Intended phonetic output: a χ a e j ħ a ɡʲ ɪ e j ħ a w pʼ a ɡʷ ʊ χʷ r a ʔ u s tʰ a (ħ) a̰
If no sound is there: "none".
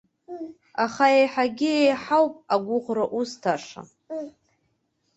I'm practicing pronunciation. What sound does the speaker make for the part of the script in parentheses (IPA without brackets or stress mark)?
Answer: ʂ